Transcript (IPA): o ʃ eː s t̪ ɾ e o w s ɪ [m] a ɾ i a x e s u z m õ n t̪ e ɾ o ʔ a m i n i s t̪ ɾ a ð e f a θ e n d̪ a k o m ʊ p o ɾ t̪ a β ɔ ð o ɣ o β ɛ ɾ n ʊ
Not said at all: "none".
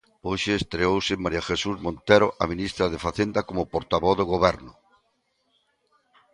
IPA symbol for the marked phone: m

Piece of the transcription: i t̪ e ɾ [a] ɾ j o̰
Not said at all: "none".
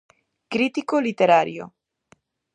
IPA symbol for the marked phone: a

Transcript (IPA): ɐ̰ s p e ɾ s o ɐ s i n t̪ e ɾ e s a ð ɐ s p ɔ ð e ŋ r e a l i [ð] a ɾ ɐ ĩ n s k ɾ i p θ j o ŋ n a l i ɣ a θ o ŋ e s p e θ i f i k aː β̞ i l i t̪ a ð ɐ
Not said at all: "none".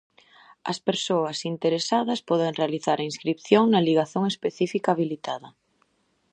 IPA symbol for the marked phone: θ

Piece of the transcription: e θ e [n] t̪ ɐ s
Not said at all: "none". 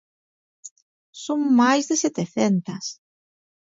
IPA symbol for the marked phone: n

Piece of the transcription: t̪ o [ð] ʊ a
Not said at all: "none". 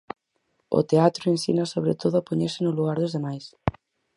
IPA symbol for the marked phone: ð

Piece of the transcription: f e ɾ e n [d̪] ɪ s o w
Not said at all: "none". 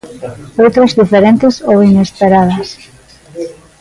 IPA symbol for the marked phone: t̪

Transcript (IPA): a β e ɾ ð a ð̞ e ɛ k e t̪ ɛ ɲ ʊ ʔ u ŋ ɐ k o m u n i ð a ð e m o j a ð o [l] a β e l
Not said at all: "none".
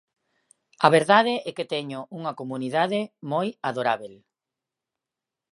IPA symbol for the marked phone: ɾ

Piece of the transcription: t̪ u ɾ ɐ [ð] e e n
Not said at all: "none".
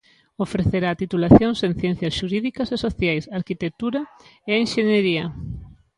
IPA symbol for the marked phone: none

